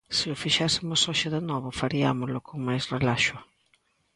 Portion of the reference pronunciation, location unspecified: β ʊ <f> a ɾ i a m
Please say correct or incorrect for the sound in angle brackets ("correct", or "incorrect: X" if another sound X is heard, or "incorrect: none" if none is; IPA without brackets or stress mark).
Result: correct